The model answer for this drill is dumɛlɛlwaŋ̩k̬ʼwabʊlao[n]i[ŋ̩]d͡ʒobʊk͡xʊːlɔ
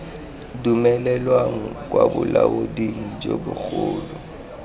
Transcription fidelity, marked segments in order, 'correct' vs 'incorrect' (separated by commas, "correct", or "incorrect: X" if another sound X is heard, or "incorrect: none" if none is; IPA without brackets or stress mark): incorrect: d, correct